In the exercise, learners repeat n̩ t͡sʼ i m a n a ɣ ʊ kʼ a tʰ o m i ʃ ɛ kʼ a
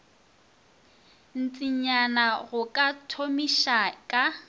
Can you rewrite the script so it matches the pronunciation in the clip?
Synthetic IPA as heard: n̩ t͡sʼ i ɲ a n a ɣ ʊ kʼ a tʰ o m i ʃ a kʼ a